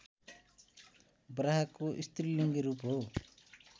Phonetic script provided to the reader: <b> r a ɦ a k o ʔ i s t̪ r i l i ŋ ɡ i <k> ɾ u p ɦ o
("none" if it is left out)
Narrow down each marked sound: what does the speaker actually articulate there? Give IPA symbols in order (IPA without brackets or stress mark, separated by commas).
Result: b, none